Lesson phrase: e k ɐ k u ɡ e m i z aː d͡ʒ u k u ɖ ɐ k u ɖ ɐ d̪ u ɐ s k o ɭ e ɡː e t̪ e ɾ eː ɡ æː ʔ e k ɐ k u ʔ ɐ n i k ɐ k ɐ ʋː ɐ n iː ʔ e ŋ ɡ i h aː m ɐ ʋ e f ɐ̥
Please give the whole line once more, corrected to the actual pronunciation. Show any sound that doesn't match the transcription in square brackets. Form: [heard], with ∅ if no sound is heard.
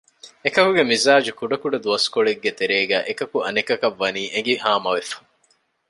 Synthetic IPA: e k ɐ k u ɡ e m i z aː d͡ʒ u k u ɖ ɐ k u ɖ ɐ d̪ u ɐ s k o ɭ e ɡː e t̪ e ɾ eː ɡ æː ʔ e k ɐ k u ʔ ɐ n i k ɐ k ɐ ʋː ɐ n iː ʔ e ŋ ɡ i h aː m ɐ ʋ e f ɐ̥